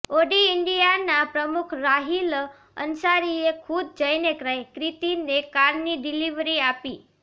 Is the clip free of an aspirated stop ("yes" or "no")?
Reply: no